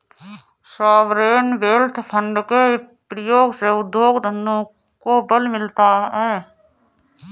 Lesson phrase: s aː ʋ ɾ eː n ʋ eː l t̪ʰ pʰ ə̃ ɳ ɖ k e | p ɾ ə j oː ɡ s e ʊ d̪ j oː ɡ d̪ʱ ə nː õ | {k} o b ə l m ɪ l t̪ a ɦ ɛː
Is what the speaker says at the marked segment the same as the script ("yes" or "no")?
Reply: yes